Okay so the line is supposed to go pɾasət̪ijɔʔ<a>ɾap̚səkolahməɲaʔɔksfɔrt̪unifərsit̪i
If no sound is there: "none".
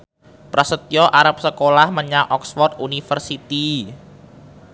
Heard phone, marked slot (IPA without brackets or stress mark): a